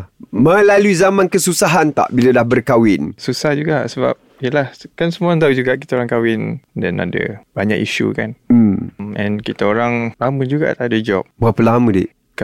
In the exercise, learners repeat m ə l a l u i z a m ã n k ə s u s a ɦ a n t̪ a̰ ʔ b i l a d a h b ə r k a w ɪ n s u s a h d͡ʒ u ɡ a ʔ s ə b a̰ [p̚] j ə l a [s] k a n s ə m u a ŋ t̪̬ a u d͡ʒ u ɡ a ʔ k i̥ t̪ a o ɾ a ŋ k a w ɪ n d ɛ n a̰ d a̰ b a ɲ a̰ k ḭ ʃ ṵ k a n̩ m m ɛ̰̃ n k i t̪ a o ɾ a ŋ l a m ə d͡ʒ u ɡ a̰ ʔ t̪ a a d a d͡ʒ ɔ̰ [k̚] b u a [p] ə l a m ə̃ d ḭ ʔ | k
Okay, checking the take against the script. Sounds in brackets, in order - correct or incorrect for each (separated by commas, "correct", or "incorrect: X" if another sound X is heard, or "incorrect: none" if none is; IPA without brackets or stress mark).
correct, incorrect: h, incorrect: p̚, correct